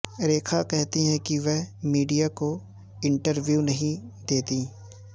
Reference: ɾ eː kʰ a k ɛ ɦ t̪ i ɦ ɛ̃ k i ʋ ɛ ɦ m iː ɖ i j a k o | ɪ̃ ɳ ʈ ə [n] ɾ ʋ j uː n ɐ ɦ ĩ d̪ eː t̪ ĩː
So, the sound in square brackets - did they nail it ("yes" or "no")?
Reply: no